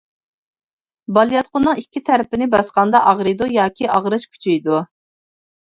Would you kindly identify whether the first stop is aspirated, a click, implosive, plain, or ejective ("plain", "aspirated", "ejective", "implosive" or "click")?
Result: plain